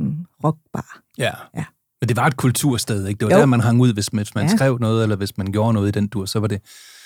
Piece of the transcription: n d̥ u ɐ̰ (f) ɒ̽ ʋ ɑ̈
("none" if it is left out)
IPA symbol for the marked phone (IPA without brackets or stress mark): s